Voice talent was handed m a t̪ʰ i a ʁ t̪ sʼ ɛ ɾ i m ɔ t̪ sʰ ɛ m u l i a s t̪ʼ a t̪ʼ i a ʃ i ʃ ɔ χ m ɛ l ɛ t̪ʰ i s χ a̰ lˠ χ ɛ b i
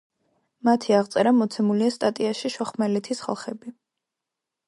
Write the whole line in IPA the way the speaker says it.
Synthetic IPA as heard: m a t̪ʰ i a ʁ t̪ sʼ ɛ ɾ a m ɔ t̪ sʰ ɛ m u l i a s t̪ʼ a t̪ʼ i a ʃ i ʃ ɔ χ m ɛ l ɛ t̪ʰ i s χ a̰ lˠ χ ɛ b i